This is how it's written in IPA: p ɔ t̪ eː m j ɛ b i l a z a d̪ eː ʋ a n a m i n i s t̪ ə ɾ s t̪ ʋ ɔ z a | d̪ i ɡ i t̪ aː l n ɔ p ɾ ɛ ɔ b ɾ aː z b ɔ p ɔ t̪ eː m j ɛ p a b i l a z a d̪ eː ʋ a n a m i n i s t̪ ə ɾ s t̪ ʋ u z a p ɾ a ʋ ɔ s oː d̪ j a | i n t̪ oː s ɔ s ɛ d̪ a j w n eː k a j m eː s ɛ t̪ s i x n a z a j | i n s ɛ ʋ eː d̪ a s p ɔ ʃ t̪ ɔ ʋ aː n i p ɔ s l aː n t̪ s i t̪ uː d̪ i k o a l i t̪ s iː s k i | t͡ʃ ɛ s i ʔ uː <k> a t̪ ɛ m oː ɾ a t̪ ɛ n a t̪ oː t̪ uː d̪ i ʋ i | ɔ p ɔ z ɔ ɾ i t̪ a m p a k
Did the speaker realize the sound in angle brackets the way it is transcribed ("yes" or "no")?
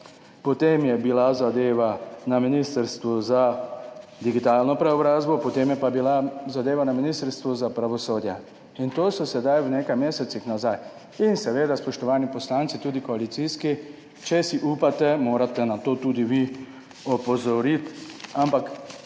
no